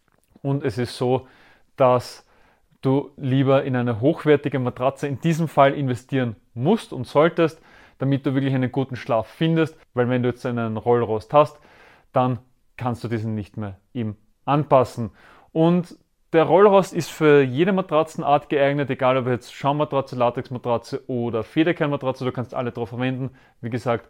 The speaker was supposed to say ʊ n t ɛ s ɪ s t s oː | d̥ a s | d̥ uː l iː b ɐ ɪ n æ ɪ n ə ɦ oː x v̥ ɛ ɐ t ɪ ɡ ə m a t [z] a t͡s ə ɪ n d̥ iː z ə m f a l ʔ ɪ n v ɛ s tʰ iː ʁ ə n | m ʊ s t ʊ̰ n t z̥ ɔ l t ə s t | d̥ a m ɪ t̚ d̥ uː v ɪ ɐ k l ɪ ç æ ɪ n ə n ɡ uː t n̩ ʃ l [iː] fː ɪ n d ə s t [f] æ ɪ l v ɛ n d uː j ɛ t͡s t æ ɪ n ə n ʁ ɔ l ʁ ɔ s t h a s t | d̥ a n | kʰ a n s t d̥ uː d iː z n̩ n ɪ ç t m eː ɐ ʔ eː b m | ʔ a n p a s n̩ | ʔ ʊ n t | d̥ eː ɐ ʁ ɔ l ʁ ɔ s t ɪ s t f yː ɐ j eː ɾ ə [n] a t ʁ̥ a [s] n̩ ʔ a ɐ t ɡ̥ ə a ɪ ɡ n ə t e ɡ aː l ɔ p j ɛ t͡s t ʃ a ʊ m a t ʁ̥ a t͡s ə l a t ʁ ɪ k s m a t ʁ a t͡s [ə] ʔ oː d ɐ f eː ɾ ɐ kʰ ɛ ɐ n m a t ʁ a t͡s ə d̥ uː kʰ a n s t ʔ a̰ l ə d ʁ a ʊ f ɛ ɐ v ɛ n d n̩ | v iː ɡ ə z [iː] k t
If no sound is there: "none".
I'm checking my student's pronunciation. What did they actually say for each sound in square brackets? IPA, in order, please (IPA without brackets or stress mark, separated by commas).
ʁ, aː, v, m, t͡s, ə, aː